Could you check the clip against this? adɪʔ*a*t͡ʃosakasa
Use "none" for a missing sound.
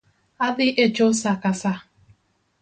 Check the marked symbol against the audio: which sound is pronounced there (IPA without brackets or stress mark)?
e